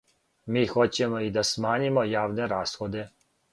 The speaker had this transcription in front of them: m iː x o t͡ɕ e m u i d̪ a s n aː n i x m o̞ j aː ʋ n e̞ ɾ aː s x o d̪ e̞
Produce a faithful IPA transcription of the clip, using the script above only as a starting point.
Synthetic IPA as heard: m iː x o t͡ɕ e m o i d̪ a s m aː ɲ i m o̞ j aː ʋ n e̞ ɾ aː s x o d̪ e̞